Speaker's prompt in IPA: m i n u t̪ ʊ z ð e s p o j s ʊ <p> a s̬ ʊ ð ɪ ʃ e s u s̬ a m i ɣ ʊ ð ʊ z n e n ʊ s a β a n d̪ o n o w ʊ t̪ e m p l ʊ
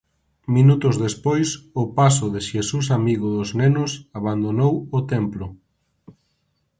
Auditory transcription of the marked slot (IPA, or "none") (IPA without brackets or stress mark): p